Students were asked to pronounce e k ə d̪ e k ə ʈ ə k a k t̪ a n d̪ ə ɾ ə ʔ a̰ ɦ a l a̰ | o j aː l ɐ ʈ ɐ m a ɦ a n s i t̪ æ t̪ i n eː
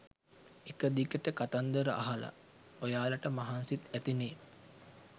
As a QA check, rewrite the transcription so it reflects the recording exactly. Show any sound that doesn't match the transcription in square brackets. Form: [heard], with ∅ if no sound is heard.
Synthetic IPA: e k ə d̪ [i] k ə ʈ ə k a [∅] t̪ a n d̪ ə ɾ ə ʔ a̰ ɦ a l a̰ | o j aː l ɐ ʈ [ə] m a ɦ a n s i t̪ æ t̪ i n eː